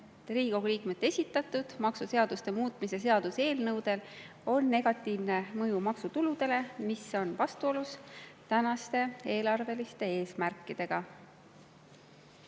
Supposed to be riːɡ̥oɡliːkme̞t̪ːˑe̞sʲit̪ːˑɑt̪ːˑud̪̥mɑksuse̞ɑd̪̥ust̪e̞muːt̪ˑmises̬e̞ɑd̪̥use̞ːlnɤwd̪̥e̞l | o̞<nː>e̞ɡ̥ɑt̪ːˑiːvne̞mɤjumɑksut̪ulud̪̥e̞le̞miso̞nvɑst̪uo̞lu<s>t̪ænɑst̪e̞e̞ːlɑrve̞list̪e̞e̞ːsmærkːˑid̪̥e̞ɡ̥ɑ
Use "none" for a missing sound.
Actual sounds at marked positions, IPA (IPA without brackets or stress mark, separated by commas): nː, s